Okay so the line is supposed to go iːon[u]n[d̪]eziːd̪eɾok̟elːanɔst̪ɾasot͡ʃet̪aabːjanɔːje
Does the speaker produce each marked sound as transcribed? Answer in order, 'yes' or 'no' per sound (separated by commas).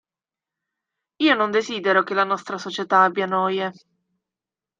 no, yes